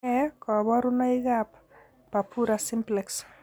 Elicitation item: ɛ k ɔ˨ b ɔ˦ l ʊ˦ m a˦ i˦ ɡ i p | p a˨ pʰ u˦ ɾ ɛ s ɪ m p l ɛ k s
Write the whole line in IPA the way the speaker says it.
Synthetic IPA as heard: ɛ k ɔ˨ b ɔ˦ ɾ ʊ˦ n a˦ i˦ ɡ a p | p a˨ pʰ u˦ ɾ a s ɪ m p l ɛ k s